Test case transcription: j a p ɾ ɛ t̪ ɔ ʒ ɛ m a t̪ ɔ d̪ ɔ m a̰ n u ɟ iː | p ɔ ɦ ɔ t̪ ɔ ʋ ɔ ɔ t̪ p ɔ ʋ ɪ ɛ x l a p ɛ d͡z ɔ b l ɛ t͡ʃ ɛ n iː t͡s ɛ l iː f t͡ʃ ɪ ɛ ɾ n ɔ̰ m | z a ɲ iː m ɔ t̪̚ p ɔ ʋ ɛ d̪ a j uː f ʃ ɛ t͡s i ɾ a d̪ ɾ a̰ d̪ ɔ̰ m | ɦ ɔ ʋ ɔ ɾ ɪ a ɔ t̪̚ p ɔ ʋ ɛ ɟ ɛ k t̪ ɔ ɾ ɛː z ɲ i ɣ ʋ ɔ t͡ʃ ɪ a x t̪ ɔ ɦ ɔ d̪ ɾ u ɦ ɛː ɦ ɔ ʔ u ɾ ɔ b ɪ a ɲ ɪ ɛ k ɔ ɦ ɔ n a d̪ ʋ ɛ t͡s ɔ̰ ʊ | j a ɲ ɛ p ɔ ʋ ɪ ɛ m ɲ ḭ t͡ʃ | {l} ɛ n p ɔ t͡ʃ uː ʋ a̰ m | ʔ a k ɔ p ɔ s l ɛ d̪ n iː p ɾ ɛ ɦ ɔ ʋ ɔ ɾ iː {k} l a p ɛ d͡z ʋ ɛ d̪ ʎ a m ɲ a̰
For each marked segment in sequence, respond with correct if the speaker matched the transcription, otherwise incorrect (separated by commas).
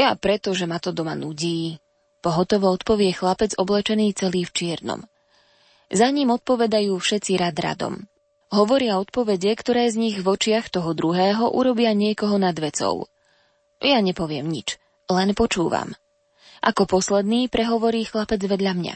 correct, incorrect